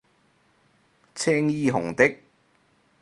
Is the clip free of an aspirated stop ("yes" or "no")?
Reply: no